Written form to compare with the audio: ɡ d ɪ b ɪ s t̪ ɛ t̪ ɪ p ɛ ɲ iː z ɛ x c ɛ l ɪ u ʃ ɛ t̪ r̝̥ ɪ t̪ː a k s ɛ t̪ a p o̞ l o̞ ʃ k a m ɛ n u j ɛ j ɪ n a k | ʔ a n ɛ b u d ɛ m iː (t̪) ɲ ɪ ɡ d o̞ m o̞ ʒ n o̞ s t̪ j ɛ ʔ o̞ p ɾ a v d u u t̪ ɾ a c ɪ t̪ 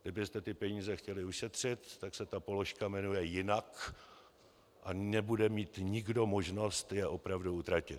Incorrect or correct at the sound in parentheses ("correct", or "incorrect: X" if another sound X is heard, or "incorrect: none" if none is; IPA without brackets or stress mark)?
correct